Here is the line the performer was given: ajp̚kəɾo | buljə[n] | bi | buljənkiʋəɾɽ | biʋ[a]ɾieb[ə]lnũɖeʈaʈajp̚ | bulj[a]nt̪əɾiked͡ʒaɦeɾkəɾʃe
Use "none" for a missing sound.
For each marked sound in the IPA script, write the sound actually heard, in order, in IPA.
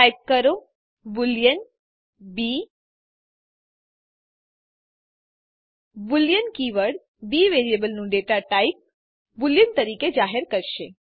n, e, ə, ə

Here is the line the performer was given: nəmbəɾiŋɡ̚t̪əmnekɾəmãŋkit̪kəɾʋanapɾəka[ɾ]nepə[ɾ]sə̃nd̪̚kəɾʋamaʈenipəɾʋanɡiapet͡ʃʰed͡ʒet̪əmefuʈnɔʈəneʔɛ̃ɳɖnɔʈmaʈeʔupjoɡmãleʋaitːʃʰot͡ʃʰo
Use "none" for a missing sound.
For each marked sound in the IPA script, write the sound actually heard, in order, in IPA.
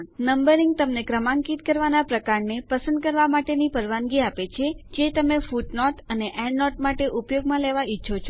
ɾ, none

